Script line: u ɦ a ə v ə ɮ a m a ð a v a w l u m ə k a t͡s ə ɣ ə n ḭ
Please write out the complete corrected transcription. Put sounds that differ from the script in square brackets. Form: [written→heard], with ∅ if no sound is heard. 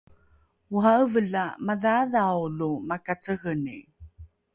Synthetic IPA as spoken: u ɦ a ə v ə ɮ a m a ð a [v→ð] a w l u m [ə→a] k a t͡s ə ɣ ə n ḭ